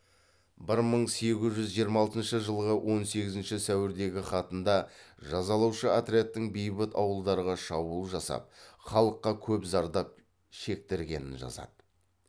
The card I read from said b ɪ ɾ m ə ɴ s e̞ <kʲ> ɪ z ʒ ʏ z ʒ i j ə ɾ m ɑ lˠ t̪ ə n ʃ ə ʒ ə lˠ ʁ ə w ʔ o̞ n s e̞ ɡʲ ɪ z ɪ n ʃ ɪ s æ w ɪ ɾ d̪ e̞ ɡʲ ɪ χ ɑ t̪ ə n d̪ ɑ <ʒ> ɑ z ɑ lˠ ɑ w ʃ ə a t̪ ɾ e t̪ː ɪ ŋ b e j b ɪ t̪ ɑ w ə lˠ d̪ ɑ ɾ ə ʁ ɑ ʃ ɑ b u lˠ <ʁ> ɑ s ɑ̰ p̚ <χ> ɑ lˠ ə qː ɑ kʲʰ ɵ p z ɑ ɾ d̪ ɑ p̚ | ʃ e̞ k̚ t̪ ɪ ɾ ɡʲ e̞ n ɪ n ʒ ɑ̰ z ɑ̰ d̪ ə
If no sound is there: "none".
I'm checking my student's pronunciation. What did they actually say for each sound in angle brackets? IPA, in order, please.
ɡʲ, ʒ, ʒ, χ

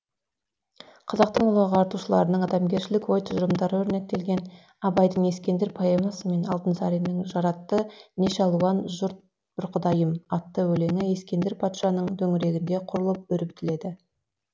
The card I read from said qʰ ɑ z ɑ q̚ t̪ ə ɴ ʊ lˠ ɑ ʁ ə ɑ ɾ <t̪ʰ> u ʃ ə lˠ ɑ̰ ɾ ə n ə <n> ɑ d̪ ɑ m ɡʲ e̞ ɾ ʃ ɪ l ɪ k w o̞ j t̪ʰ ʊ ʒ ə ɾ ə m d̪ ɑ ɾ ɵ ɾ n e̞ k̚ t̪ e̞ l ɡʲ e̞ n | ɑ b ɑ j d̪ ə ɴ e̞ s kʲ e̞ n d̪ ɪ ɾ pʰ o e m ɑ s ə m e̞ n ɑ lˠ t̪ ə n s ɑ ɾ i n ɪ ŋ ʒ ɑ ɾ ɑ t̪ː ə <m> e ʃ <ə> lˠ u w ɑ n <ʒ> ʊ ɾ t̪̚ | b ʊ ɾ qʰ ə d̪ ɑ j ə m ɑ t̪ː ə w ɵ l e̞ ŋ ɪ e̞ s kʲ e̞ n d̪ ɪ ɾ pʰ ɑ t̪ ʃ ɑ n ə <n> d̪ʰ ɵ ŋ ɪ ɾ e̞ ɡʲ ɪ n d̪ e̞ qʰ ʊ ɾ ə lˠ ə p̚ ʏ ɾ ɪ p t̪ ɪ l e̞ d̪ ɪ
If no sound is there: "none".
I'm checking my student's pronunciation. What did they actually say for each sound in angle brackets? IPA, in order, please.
t̪, ɴ, n, ɑ, ʒ, ɴ

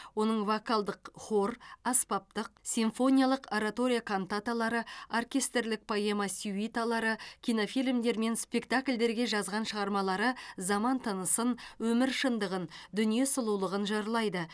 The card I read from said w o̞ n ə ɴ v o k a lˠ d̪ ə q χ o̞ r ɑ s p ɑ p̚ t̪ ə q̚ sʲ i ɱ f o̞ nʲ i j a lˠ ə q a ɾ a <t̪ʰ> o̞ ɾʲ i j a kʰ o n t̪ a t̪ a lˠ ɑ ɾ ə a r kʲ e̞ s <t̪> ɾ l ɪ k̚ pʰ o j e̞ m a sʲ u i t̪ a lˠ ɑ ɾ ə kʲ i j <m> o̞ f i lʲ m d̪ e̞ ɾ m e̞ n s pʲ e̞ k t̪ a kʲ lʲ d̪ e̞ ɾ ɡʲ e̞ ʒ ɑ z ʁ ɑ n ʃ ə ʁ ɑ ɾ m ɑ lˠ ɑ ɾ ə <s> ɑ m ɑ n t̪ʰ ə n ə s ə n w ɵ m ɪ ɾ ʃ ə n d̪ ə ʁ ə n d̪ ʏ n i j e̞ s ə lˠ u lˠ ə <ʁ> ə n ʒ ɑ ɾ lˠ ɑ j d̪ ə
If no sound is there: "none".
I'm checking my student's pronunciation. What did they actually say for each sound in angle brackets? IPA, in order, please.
t̪, t̪, n, z, ʁ

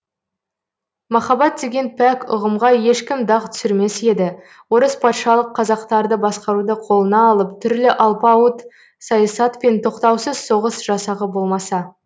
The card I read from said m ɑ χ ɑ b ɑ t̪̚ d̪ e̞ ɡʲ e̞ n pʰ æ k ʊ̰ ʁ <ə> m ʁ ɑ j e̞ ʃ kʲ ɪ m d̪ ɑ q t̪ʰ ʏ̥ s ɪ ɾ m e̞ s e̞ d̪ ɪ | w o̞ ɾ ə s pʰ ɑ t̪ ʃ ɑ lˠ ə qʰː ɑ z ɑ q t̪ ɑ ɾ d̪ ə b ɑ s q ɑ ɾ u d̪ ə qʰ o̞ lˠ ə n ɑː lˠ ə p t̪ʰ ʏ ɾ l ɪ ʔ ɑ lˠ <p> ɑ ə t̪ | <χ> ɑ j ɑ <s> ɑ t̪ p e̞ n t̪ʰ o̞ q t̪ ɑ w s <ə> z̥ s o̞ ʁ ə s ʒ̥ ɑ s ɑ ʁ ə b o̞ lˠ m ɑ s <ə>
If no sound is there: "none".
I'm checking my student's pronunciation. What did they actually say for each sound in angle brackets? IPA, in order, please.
ə, p, s, s, ə, ɑ

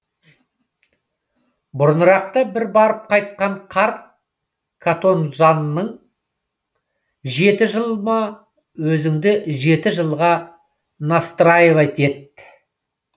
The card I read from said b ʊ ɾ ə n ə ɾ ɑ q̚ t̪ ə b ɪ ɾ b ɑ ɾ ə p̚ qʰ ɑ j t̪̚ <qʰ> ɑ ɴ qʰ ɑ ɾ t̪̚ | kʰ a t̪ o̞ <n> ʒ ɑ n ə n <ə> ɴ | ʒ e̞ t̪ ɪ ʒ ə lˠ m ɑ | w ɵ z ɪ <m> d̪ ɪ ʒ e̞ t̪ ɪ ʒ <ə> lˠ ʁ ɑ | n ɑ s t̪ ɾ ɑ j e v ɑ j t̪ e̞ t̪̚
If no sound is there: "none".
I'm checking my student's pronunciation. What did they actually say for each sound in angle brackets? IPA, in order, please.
q, n, ə, ŋ, ə

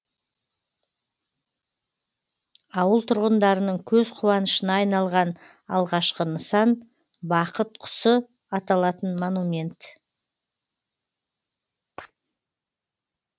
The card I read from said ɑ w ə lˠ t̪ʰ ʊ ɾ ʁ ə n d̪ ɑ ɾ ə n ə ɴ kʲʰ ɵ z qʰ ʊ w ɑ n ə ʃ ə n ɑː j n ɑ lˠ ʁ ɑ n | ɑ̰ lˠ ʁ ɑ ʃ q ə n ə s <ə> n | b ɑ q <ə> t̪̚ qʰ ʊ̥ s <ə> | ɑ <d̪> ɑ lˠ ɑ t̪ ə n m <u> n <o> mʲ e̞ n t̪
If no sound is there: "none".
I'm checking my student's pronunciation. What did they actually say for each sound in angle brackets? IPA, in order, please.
ɑ, ə, ə, t̪, o, u

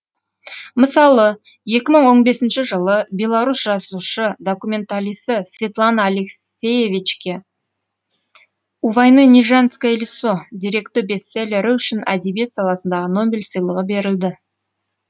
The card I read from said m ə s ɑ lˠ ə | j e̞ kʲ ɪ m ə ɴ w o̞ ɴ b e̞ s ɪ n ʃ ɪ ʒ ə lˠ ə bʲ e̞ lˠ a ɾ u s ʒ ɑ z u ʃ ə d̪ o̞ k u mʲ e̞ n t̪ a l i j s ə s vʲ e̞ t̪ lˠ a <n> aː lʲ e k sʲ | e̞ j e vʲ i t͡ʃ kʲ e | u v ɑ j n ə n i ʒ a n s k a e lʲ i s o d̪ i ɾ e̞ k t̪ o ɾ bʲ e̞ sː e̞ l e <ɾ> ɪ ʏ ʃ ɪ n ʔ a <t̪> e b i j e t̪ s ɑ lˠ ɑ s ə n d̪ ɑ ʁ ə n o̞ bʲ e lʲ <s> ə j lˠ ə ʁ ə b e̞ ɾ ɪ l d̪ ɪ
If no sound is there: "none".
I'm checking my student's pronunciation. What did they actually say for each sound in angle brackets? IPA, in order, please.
n, ɾ, d̪, s

